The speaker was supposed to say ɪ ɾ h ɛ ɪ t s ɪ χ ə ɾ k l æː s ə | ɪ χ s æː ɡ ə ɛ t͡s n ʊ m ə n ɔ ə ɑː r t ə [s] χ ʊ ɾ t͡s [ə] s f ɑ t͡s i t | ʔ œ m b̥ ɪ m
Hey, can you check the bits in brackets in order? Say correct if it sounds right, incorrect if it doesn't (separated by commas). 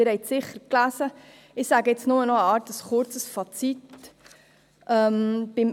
correct, correct